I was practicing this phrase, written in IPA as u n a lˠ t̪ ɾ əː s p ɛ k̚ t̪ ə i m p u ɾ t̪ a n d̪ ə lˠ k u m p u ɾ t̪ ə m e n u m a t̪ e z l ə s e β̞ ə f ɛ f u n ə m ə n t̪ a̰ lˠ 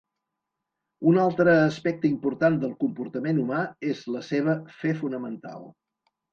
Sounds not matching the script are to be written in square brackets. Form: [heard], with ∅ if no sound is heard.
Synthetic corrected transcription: u n a lˠ t̪ ɾ əː s p ɛ k̚ t̪ ə i m p u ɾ t̪ a n d̪ ə lˠ k u m p u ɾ t̪ ə m e n u m a [∅] e z l ə s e β̞ ə f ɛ f u n ə m ə n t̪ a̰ lˠ